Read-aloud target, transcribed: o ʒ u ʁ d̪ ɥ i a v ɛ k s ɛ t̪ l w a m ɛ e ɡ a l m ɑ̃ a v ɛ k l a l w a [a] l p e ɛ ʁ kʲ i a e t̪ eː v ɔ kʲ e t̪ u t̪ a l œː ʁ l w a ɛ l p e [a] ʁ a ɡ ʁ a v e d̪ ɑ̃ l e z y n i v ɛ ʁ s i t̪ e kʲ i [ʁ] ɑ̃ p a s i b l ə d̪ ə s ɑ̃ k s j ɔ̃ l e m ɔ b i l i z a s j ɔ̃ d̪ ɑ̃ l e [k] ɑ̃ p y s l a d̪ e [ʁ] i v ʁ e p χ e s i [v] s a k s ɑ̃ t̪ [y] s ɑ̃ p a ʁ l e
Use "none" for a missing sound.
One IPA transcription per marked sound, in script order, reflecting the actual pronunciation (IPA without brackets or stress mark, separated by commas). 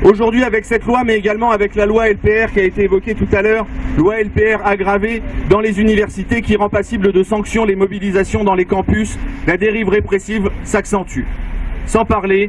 ɛ, ɛ, ʁ, k, ʁ, v, y